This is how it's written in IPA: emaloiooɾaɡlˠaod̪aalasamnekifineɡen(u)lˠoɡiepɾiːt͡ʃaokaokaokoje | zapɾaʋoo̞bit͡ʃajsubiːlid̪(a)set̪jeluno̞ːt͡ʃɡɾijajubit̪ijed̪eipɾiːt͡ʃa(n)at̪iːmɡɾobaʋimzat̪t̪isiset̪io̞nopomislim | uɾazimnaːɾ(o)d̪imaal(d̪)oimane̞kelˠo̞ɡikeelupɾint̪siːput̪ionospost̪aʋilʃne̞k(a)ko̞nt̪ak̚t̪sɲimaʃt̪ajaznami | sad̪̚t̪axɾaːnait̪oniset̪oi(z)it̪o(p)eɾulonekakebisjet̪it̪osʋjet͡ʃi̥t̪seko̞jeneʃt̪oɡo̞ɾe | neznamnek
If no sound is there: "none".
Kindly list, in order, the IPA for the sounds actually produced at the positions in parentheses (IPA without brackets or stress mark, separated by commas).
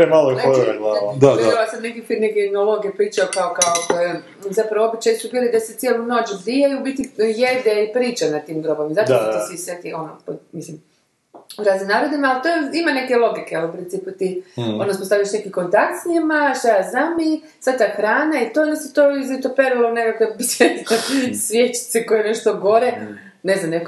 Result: o, a, n, o, t̪, i, z, p